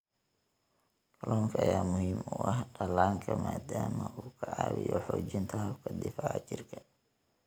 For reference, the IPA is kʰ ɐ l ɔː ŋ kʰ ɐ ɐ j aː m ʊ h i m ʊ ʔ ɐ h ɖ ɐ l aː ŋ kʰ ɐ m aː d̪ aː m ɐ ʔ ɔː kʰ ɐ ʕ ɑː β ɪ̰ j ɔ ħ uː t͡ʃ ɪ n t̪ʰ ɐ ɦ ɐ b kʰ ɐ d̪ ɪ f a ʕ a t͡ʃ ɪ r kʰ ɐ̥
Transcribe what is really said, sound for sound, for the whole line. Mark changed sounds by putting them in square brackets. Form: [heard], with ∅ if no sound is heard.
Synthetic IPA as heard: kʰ ɐ l ɔː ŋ kʰ ɐ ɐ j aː m ʊ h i m ʊ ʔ ɐ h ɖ ɐ l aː ŋ kʰ ɐ m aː d̪ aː m ɐ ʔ [uː] kʰ ɐ ʕ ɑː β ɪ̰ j ɔ ħ [ɔː] t͡ʃ ɪ n t̪ʰ ɐ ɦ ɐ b kʰ ɐ d̪ ɪ f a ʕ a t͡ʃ ɪ r kʰ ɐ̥